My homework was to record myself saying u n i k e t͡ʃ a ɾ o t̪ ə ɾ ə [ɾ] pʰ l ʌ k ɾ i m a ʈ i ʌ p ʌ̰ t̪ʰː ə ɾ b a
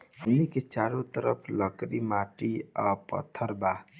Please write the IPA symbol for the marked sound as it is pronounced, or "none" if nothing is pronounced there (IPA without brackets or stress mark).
none